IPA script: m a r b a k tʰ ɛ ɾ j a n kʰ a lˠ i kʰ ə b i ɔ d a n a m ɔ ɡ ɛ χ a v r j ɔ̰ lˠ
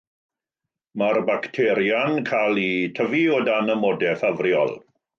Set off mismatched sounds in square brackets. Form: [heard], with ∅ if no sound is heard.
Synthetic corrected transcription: m a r b a k tʰ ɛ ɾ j a n kʰ a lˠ i [tʰ] ə [v] i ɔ d a n [ə] m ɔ [d] ɛ [f] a v r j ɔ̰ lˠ